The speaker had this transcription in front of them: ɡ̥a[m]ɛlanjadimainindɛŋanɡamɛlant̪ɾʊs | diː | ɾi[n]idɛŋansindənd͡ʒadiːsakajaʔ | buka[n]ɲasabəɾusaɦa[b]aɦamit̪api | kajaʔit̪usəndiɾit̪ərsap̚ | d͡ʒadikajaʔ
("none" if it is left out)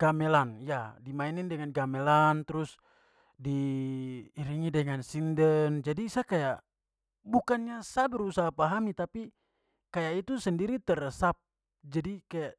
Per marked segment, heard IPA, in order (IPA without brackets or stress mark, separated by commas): m, ŋ, n, p